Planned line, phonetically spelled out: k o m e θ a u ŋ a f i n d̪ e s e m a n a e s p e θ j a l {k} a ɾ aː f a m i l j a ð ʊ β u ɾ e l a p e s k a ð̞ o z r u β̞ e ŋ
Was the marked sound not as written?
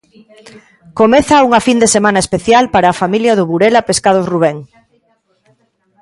yes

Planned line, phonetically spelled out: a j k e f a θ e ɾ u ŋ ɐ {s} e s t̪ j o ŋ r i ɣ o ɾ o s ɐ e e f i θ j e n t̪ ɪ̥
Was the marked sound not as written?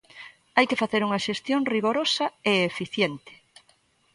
yes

